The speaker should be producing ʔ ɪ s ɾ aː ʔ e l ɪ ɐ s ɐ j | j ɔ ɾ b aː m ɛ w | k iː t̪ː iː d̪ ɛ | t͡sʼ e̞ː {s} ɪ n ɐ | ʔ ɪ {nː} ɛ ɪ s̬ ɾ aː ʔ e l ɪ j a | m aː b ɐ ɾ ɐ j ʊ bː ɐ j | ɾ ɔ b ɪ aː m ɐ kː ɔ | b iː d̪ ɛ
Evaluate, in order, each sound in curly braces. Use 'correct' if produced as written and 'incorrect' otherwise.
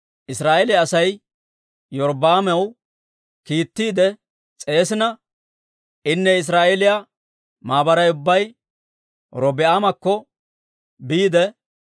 correct, correct

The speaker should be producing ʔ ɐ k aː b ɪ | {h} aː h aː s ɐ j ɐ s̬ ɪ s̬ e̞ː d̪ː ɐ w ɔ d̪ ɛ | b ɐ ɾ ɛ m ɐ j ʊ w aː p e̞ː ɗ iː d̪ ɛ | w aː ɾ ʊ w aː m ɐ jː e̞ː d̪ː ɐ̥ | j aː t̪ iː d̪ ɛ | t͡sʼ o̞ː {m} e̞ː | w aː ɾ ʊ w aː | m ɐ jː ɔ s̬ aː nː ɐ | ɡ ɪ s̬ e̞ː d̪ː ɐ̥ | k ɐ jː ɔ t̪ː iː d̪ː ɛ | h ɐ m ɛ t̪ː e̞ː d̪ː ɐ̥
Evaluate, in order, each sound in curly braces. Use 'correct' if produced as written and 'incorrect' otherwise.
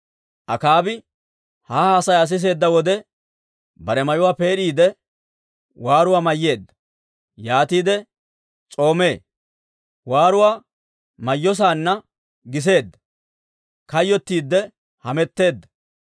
correct, correct

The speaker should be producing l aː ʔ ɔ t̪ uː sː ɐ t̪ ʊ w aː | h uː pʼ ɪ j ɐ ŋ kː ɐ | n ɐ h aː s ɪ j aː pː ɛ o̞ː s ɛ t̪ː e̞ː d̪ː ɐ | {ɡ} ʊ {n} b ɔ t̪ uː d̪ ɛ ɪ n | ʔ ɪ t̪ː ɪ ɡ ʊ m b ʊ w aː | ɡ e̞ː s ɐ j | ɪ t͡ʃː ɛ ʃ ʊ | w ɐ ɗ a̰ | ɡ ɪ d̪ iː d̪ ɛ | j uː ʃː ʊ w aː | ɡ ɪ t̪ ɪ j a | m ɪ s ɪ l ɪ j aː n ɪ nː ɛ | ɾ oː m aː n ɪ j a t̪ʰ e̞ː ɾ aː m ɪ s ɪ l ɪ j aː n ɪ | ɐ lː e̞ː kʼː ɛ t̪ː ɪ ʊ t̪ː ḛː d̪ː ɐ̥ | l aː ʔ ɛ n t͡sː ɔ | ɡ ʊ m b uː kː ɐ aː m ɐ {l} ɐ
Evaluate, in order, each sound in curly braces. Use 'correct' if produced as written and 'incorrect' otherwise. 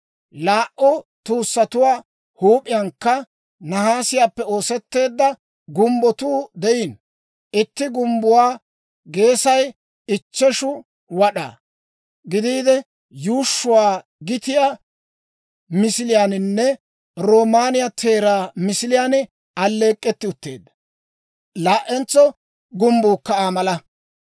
correct, incorrect: m, correct

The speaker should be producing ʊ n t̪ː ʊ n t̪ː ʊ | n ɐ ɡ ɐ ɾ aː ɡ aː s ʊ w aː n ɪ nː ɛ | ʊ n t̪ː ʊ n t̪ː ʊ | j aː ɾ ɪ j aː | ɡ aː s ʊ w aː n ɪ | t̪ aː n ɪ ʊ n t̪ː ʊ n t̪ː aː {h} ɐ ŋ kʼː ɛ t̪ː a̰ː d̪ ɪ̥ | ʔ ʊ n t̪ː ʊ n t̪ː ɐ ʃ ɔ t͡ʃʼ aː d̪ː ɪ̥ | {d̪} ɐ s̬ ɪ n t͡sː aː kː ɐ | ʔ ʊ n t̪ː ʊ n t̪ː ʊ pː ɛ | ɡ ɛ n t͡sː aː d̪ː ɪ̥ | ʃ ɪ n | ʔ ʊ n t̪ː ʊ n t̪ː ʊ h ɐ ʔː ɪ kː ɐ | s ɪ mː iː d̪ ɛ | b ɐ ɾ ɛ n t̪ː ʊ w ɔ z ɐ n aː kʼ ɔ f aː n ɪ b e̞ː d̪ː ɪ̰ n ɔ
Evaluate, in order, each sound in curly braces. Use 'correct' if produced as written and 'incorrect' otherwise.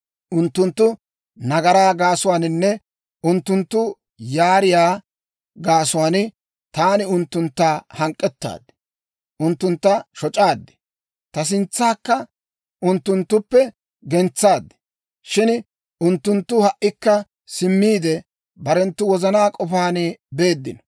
correct, incorrect: t̪

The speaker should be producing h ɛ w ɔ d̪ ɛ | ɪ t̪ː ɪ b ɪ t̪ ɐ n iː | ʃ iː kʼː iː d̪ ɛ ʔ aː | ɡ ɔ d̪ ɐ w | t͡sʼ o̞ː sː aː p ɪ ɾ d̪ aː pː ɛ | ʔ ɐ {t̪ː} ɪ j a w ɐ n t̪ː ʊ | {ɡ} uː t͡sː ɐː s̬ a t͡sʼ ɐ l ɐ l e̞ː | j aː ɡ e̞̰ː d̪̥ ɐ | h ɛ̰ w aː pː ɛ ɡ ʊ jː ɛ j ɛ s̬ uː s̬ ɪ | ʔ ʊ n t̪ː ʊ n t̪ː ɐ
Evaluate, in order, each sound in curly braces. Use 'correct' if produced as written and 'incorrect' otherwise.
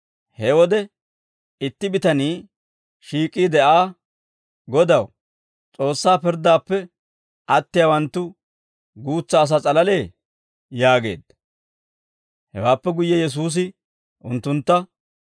correct, correct

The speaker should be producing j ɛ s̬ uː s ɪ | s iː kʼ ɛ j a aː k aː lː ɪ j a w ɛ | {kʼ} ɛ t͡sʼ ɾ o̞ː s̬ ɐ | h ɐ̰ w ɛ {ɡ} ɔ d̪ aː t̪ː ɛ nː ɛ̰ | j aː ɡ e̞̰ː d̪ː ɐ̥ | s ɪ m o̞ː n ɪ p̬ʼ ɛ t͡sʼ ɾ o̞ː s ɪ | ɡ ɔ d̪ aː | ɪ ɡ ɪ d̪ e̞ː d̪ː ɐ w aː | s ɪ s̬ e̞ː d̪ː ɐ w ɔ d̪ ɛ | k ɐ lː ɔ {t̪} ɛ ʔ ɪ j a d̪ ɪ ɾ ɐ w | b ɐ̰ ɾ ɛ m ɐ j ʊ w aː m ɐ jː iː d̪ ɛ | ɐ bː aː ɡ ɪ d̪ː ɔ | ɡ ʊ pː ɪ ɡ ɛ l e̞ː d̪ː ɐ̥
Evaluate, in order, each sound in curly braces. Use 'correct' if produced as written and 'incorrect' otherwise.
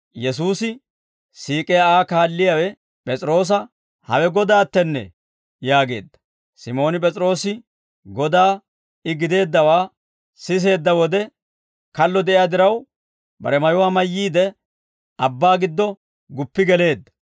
incorrect: pʼ, correct, incorrect: d̪

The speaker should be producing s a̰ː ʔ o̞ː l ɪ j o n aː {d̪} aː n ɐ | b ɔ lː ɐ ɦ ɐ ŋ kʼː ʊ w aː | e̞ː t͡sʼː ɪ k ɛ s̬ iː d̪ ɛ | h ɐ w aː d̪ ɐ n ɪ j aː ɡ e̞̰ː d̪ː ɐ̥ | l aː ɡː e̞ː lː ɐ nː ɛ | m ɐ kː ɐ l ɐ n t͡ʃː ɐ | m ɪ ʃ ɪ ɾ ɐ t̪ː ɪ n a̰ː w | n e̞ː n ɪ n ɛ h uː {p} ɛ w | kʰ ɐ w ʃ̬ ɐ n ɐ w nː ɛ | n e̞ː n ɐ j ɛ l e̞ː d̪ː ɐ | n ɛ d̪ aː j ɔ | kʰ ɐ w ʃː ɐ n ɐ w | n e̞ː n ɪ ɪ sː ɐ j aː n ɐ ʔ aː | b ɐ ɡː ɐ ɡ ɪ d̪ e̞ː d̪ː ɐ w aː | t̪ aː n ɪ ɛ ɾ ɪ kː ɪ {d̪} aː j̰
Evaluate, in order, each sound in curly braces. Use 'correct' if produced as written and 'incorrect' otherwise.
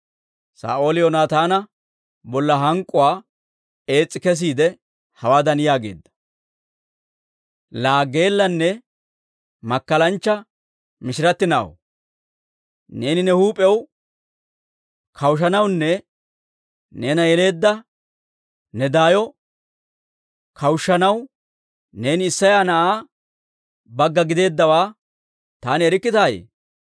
incorrect: t̪, incorrect: pʼ, incorrect: t̪

